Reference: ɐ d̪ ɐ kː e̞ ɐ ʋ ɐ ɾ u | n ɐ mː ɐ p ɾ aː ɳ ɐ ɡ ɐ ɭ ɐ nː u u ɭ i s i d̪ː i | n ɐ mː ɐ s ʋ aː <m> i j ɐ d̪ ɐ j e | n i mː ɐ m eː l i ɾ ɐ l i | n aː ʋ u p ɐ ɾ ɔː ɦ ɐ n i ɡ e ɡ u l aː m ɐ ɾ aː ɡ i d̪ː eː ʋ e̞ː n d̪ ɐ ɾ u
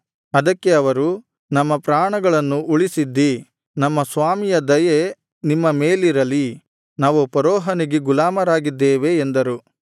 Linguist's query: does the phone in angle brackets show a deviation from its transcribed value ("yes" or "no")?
no